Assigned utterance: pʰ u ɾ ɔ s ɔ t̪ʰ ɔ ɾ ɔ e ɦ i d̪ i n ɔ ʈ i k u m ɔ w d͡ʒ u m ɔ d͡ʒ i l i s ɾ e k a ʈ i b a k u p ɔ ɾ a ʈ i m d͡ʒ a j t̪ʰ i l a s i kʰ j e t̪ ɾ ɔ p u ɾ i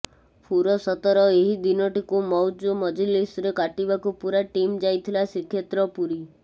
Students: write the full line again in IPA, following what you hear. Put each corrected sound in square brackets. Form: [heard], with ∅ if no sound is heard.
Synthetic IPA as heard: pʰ u ɾ ɔ s ɔ [t̪] ɔ ɾ ɔ e ɦ i d̪ i n ɔ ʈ i k u m ɔ w d͡ʒ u m ɔ d͡ʒ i l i s ɾ e k a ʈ i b a k u p [u] ɾ a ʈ i m d͡ʒ a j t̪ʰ i l a s i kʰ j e t̪ ɾ ɔ p u ɾ i